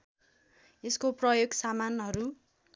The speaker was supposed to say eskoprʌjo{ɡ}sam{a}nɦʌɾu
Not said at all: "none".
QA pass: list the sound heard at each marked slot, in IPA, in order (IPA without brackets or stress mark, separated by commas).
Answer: ɡ, a